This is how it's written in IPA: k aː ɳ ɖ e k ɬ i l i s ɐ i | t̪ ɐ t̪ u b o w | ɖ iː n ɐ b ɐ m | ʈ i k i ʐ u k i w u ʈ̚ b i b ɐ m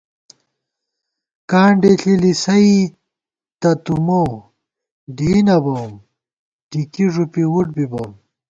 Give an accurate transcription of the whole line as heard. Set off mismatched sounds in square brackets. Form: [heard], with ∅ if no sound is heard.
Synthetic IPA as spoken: k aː ɳ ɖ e [∅] ɬ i l i s ɐ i | t̪ ɐ t̪ u [m] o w | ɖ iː n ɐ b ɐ m | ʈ i k i ʐ u [p] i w u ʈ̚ b i b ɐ m

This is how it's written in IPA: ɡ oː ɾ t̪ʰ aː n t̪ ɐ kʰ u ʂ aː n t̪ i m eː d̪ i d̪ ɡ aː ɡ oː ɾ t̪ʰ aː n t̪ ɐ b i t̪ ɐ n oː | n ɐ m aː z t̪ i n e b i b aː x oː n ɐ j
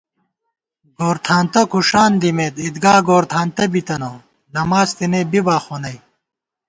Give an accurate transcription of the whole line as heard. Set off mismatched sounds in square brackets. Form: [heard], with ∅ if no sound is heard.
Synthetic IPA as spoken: ɡ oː ɾ t̪ʰ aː n t̪ ɐ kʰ u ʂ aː n [d̪] i m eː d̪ i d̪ ɡ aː ɡ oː ɾ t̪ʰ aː n t̪ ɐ b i t̪ ɐ n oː | n ɐ m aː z t̪ i n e b i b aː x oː n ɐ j

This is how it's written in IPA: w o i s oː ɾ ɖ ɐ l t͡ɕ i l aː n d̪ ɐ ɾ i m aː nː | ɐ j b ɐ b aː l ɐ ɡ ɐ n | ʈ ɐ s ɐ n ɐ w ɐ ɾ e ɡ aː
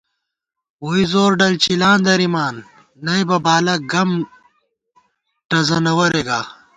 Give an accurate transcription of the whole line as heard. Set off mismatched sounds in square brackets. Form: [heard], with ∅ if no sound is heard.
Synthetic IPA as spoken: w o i [z] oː ɾ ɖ ɐ l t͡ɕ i l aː n d̪ ɐ ɾ i m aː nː | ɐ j b ɐ b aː l ɐ ɡ ɐ [m] | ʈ ɐ [z] ɐ n ɐ w ɐ ɾ e ɡ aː

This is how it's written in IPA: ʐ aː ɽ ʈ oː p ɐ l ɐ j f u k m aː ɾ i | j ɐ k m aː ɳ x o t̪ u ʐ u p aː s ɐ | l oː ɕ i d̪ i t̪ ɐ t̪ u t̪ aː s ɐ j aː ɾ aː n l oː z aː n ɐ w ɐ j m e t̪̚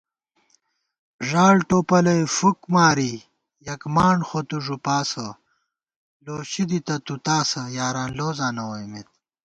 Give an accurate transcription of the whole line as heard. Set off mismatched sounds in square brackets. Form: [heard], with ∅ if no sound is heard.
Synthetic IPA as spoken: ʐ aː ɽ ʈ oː p ɐ l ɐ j f u k m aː ɾ i | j ɐ k m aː ɳ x o t̪ u ʐ u p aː s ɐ | l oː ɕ i d̪ i t̪ ɐ t̪ u t̪ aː s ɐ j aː ɾ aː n l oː z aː n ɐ w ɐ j m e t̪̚

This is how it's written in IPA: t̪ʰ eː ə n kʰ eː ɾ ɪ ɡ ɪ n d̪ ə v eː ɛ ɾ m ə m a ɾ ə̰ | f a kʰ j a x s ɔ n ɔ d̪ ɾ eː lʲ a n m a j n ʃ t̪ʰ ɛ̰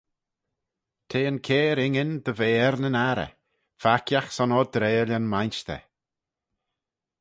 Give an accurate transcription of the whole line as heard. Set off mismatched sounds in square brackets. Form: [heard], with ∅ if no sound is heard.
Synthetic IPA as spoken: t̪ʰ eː ə n kʰ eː ɾ ɪ [ŋ] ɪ n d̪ ə v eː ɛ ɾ [n] ə [n] a ɾ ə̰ | f a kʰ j a x s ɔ n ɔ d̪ ɾ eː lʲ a n m a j n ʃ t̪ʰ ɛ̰

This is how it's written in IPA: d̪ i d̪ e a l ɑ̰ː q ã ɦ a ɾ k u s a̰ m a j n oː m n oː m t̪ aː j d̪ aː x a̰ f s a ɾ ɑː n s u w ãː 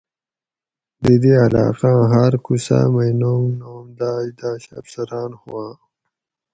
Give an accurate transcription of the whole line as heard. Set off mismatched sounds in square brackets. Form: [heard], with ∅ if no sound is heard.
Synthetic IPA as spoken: d̪ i d̪ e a l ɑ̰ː q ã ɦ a ɾ k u s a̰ m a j n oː m n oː m [d̪] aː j d̪ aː [ɕ] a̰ f s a ɾ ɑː n [h] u w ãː

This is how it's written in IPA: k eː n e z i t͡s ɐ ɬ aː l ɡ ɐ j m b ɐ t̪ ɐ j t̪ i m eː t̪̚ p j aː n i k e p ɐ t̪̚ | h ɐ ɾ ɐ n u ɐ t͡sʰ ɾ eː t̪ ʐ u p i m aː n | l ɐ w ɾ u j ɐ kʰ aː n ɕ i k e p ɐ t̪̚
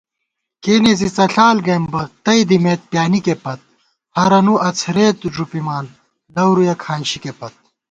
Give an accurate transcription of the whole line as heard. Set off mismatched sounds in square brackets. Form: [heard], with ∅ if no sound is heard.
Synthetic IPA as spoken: k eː n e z i t͡s ɐ ɬ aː l ɡ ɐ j m b ɐ t̪ ɐ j [d̪] i m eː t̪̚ p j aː n i k e p ɐ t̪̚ | h ɐ ɾ ɐ n u ɐ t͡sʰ ɾ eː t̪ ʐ u p i m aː n | l ɐ w ɾ u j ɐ kʰ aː n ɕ i k e p ɐ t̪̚

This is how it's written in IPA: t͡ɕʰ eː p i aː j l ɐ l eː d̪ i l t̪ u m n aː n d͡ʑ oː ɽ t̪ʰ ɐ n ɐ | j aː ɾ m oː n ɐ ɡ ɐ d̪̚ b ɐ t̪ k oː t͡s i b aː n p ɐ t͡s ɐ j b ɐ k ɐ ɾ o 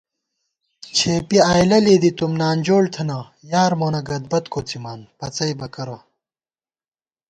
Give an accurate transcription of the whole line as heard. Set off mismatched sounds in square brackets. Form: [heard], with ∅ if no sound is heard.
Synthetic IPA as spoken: t͡ɕʰ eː p i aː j l ɐ l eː d̪ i [∅] t̪ u m n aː n d͡ʑ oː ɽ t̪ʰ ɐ n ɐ | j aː ɾ m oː n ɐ ɡ ɐ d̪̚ b ɐ t̪ k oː t͡s i [m] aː n p ɐ t͡s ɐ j b ɐ k ɐ ɾ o

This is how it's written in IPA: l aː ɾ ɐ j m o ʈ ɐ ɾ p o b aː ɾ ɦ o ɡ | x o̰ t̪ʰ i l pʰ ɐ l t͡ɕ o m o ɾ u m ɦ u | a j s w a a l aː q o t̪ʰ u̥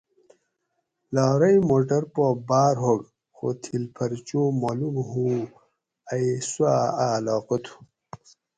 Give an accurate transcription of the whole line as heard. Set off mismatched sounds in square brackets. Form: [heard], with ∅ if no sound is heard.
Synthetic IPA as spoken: l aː ɾ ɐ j m o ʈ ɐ ɾ p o b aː ɾ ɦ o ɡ | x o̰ t̪ʰ i l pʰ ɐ [ɾ] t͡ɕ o m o [l] u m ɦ u | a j s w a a l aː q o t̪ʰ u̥

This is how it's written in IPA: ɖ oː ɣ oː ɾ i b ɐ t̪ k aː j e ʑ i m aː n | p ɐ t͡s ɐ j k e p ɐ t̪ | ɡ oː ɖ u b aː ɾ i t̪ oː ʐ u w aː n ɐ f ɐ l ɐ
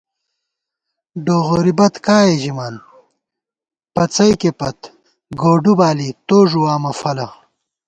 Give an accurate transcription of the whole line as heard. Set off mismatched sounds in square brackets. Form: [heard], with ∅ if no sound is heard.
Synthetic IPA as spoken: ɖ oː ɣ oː ɾ i b ɐ t̪ k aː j e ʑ i m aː n | p ɐ t͡s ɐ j k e p ɐ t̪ | ɡ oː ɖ u b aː [l] i t̪ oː ʐ u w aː [m] ɐ f ɐ l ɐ

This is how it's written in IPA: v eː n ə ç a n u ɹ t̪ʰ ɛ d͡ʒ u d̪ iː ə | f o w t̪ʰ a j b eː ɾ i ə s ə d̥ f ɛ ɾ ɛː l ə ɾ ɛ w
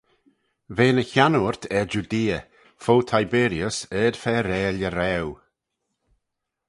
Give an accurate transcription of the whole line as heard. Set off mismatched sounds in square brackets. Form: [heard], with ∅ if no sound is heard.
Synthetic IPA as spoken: v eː n ə ç a n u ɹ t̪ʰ ɛ d͡ʒ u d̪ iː ə | f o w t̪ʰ a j b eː ɾ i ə s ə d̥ f ɛ ɾ ɛː l ə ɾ ɛ w

